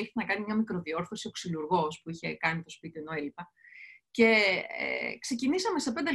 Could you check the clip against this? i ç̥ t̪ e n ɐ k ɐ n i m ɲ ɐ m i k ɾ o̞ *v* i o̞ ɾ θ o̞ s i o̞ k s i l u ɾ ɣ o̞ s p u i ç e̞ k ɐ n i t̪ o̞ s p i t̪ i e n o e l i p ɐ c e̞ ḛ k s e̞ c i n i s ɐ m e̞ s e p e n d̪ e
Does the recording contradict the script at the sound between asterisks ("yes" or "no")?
yes